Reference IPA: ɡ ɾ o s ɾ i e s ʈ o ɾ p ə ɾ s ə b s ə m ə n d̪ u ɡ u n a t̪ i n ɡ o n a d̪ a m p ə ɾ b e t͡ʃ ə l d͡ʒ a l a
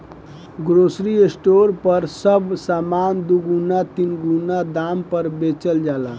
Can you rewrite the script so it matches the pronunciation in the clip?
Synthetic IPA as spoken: ɡ ɾ o s ɾ i e s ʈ o ɾ p ə ɾ s ə b s a m a n d̪ u ɡ u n a t̪ i n ɡ u n a d̪ a m p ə ɾ b e t͡ʃ ə l d͡ʒ a l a